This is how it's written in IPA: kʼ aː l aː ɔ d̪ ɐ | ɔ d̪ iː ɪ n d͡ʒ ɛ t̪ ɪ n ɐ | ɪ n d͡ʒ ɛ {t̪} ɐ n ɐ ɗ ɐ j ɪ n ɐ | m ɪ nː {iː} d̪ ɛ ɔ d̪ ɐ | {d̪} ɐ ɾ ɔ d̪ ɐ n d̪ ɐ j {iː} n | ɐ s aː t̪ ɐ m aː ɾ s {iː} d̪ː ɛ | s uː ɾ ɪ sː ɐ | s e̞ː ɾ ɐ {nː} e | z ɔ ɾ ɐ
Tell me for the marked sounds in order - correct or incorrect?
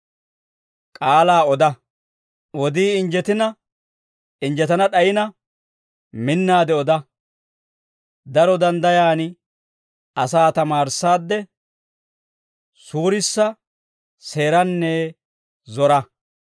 correct, incorrect, correct, incorrect, incorrect, correct

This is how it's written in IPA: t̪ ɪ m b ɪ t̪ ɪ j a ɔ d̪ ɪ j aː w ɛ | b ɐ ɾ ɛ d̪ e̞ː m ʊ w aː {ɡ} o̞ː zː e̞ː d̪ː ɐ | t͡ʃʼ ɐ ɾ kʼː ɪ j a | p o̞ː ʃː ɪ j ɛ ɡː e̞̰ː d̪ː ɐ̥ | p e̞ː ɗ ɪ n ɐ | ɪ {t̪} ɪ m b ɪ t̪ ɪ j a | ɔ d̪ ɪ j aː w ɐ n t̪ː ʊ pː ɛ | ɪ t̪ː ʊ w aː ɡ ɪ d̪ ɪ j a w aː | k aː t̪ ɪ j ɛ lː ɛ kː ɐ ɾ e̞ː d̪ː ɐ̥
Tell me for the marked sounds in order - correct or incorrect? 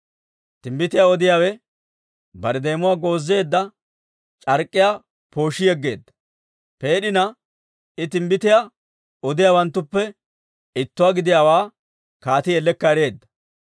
correct, correct

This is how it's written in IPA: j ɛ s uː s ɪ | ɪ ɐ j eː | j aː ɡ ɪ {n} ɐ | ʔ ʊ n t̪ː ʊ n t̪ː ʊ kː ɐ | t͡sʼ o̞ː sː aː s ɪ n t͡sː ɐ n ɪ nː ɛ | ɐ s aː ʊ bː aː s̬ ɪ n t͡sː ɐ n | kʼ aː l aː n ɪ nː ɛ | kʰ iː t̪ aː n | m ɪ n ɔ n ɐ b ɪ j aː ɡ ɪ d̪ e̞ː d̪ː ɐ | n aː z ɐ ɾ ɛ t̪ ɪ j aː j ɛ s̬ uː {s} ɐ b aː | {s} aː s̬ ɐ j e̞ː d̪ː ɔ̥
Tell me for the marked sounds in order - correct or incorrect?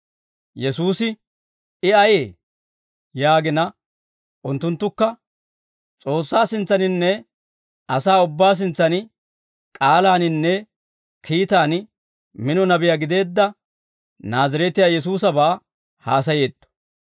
correct, correct, incorrect

